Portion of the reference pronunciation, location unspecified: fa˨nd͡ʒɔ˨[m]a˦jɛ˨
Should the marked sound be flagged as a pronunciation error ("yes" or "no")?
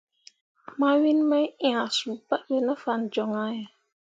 yes